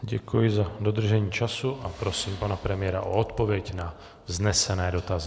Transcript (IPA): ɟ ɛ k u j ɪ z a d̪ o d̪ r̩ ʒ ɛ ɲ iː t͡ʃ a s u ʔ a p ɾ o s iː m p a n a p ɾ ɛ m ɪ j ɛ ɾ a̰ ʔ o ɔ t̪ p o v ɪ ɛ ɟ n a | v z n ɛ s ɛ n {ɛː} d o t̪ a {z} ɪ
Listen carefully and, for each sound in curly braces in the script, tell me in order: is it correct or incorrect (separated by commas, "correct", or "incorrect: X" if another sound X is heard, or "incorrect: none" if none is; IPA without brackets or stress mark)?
correct, correct